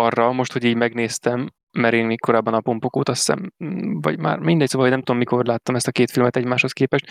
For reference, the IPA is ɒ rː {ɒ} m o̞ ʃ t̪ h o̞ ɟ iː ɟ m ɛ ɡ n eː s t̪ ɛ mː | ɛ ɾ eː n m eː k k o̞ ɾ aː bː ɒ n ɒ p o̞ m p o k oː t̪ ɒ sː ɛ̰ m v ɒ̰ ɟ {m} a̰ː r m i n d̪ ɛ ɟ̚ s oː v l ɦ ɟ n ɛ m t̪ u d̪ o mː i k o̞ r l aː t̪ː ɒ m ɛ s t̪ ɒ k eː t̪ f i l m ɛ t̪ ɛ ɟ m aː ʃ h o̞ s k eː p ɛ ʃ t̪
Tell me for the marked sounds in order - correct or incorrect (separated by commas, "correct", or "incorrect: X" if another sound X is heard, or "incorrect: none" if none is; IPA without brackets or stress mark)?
correct, correct